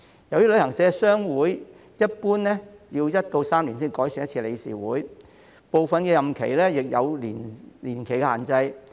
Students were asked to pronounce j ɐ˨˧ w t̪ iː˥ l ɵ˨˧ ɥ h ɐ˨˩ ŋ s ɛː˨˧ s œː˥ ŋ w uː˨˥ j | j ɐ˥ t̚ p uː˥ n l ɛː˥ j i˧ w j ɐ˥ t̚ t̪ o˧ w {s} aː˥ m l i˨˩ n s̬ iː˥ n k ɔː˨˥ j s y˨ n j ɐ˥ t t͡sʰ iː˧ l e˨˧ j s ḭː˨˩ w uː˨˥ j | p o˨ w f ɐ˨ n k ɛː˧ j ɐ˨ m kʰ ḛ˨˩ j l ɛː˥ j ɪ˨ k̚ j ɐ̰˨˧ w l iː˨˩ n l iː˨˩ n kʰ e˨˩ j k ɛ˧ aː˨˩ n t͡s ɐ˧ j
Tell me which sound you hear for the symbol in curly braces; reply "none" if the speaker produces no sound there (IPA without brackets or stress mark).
s